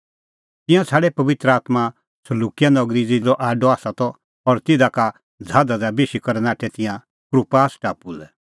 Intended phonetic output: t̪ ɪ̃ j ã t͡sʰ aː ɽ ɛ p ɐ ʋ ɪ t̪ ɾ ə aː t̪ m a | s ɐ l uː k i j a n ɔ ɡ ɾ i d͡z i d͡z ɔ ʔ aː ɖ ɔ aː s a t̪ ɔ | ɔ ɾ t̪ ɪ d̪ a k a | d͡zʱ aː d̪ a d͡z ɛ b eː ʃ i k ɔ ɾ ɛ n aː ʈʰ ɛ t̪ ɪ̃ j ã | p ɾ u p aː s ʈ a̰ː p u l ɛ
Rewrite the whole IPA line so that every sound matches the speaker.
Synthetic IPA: t̪ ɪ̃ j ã t͡sʰ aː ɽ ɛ p ɐ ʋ ɪ t̪ ɾ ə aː t̪ m a | s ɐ l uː k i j a n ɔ ɡ ɾ i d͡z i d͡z ɔ ʔ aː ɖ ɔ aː s a t̪ ɔ | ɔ ɾ t̪ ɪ d̪ a k a | d͡zʱ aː d̪ a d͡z a b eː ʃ i k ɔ ɾ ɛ n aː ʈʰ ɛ t̪ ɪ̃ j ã | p ɾ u p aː s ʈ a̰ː p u l ɛ